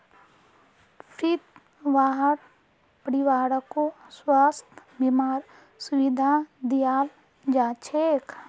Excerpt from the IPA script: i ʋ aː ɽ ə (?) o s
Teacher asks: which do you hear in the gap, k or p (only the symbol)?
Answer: k